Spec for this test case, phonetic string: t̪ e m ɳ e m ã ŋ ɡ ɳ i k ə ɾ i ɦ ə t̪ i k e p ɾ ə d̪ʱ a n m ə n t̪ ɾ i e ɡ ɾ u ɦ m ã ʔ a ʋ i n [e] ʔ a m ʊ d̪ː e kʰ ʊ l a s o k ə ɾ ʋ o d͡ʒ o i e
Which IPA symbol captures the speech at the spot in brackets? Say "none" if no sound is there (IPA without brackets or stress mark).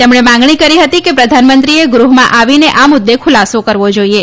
e